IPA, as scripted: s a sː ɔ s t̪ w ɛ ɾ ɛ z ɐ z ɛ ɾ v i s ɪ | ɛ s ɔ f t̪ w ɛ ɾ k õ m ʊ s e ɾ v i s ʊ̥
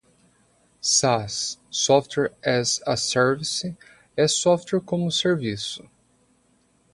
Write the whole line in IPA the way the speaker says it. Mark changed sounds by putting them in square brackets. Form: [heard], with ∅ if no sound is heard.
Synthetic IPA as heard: s a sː ɔ [f] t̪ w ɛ ɾ ɛ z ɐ [s] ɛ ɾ v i s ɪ | ɛ s ɔ f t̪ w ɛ ɾ k õ m ʊ s e ɾ v i s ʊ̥